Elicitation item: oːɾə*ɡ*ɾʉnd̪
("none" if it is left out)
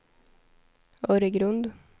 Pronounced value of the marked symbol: ɡ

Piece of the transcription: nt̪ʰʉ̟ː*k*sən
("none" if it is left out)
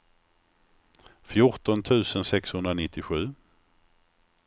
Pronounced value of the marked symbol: none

